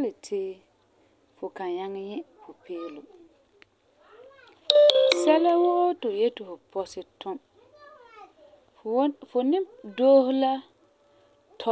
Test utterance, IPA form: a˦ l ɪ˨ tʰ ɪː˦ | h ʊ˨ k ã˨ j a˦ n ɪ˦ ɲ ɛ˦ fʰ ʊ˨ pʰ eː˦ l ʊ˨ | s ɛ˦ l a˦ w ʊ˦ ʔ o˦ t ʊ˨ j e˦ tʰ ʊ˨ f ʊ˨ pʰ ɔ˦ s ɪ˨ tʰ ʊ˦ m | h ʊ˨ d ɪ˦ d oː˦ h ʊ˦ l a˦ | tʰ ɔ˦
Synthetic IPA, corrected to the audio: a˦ l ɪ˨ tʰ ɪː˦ | f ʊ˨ k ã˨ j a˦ ŋ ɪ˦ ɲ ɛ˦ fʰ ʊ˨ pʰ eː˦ l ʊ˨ | s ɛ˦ l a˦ w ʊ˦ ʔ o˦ t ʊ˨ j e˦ t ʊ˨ f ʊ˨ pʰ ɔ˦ s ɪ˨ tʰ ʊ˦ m | f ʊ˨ n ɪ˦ d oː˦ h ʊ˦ l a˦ | tʰ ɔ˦